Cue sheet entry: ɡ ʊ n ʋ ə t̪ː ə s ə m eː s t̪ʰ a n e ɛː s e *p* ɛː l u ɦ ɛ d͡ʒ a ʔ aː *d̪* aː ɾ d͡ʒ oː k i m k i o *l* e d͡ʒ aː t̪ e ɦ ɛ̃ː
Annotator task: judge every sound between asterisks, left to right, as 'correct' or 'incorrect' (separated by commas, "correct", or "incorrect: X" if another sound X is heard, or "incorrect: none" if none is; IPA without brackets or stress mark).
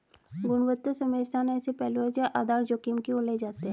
correct, correct, correct